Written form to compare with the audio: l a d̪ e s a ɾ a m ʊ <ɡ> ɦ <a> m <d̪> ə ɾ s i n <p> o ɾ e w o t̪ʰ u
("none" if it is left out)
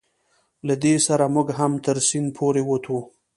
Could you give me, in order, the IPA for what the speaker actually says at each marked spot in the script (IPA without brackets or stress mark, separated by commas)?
ɡ, a, t̪, pʰ